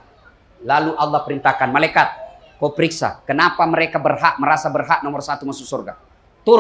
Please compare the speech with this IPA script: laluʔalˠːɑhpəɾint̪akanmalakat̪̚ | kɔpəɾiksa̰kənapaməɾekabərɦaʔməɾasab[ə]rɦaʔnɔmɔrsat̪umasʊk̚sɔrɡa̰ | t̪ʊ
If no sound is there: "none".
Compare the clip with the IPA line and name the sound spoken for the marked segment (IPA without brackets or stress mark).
ə